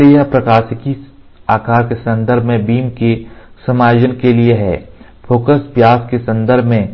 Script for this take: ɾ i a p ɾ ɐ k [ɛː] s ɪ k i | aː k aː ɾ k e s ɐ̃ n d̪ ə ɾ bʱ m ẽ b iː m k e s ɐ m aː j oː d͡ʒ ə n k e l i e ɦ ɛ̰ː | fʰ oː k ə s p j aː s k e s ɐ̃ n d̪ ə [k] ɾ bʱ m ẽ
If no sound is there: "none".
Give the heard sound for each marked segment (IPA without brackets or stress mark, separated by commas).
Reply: aː, none